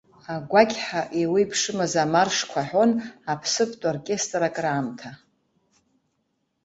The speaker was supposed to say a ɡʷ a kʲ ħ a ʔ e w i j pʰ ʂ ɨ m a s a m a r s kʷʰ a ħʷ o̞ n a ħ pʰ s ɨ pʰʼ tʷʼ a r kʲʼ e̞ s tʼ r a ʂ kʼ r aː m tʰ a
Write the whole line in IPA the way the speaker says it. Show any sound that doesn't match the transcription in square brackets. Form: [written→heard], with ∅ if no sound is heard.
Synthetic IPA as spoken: a ɡʷ a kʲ ħ a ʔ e w i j pʰ ʂ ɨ m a [s→z] a m a r [s→ʂ] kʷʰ a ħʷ o̞ n a [ħ→∅] pʰ s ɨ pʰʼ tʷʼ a r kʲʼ e̞ s tʼ r a [ʂ→∅] kʼ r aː m tʰ a